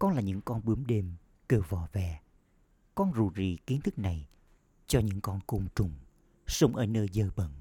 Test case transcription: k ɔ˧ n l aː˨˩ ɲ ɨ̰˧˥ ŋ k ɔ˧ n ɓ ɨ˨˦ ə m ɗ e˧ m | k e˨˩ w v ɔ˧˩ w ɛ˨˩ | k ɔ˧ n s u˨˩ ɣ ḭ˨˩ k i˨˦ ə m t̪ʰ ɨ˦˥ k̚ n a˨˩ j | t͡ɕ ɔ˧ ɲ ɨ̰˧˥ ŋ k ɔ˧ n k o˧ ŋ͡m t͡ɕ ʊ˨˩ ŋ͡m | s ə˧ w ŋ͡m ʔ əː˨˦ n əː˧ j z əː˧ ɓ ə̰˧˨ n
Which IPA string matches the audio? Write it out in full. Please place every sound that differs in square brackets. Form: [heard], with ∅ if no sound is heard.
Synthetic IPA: k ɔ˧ n l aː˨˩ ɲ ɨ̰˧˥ ŋ k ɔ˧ n ɓ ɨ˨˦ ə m ɗ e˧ m | k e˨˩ w v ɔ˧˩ [v] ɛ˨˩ | k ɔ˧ n [z] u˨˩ [z] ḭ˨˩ k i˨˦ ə [n] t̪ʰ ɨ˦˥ k̚ n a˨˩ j | t͡ɕ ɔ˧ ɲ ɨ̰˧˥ ŋ k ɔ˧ n k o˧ ŋ͡m t͡ɕ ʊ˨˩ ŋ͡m | s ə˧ w ŋ͡m ʔ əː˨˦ n əː˧ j z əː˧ ɓ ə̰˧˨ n